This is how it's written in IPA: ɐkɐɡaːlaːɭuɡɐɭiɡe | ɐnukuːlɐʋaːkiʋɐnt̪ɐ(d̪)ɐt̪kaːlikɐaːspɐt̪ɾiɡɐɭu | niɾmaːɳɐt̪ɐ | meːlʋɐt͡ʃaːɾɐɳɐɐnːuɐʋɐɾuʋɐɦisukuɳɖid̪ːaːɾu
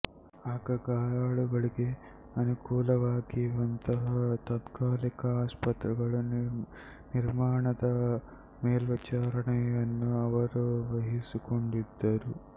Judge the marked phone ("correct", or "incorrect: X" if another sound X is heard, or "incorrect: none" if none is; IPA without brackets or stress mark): incorrect: t̪